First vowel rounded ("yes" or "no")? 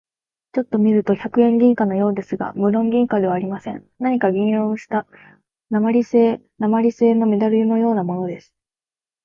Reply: yes